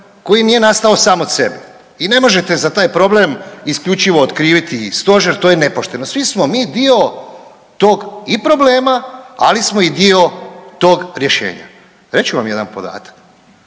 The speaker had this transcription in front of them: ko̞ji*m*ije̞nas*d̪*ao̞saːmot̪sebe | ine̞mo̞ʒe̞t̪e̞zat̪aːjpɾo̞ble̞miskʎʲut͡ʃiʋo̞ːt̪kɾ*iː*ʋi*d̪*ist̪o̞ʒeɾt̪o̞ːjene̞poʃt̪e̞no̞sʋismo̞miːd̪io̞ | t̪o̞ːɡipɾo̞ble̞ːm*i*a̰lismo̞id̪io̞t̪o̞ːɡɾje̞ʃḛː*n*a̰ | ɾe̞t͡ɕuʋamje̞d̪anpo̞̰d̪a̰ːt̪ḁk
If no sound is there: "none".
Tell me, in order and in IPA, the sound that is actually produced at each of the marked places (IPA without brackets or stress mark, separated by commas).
n, t̪, iː, t̪, a, ɲ